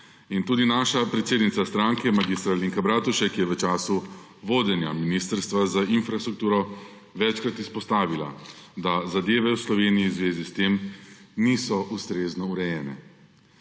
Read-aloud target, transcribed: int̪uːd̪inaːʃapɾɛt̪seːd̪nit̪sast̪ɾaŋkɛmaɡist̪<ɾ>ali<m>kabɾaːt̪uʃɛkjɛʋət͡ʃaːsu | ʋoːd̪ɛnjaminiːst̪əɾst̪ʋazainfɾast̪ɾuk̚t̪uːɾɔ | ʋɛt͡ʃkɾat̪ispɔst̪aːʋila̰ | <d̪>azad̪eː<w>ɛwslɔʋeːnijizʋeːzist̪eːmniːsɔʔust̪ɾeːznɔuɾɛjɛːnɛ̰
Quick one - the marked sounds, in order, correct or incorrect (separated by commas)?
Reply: correct, incorrect, correct, incorrect